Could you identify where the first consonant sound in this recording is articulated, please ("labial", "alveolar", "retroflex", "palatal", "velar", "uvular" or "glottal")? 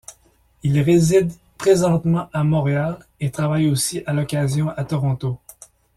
alveolar